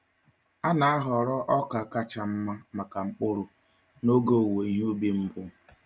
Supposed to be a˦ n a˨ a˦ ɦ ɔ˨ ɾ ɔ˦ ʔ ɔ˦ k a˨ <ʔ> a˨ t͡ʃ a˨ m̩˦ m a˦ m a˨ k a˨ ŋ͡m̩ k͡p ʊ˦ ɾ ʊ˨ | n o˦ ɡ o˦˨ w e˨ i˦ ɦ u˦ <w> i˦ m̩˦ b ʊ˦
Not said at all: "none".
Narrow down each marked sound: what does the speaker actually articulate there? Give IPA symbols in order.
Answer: k, b

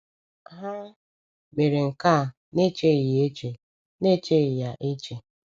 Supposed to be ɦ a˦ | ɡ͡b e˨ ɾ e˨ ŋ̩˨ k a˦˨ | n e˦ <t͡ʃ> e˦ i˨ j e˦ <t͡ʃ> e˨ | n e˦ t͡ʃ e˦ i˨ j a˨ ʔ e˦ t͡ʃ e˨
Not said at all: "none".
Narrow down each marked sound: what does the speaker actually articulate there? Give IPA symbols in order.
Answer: t͡ʃ, t͡ʃ

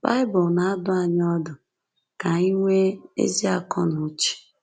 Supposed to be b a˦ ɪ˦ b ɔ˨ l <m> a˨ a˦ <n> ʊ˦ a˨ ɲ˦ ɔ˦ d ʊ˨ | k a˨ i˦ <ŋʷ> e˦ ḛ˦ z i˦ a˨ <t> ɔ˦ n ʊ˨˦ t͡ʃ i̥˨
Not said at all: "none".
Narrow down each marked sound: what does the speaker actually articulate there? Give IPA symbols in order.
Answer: n, d, ŋʷ, k

